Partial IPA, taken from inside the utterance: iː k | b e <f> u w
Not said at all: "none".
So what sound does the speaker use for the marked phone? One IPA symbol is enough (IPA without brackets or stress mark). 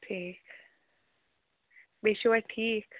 ʃ